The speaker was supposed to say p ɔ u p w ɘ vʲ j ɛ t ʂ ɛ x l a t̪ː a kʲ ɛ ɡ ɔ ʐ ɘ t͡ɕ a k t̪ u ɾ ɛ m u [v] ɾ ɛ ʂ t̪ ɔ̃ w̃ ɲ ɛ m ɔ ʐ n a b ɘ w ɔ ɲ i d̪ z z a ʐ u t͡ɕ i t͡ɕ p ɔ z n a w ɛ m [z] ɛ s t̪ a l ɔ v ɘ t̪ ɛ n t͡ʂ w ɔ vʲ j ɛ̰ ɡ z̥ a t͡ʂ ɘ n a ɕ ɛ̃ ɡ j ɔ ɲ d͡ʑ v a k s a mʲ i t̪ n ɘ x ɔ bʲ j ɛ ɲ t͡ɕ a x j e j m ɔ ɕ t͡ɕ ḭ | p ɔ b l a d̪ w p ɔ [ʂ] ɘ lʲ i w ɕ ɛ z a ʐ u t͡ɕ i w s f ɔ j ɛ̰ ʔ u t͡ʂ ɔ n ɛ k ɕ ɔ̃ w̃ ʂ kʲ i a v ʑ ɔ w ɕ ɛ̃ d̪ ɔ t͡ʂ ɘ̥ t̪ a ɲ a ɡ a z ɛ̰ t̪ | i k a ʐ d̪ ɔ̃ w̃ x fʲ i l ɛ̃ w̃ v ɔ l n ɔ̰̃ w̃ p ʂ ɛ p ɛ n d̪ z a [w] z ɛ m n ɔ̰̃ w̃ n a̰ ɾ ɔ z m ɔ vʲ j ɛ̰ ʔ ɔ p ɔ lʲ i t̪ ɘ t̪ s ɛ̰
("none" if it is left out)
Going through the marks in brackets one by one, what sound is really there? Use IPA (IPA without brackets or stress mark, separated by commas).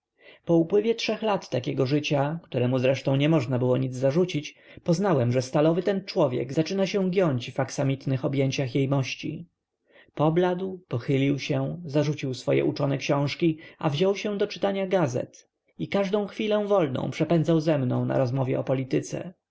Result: z, ʐ, x, w